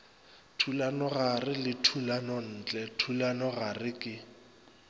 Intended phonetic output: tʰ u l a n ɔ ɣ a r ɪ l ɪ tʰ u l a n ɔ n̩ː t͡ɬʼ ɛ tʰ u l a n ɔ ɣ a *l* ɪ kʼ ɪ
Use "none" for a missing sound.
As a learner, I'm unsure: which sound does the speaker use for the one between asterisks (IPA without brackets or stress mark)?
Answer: r